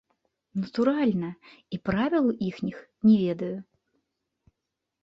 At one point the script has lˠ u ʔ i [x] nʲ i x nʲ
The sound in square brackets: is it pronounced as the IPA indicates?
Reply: yes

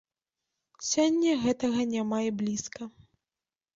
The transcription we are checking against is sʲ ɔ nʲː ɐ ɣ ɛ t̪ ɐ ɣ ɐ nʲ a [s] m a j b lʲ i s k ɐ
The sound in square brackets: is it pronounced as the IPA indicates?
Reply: no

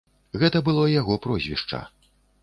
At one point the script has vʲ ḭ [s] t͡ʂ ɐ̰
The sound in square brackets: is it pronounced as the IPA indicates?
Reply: no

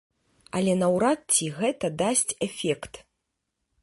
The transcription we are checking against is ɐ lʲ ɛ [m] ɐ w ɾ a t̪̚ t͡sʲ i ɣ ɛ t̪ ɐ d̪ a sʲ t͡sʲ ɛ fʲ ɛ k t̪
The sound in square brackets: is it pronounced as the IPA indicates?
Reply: no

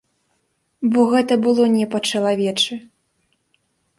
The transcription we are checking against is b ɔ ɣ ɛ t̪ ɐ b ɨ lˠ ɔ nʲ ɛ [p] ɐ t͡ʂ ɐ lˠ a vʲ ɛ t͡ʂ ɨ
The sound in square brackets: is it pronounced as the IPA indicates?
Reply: yes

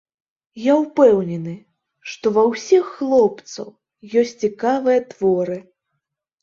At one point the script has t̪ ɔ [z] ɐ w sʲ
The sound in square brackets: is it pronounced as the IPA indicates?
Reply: no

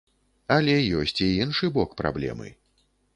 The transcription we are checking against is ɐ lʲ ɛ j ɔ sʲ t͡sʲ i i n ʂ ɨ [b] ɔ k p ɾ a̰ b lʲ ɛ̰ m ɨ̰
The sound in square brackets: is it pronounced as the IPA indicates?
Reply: yes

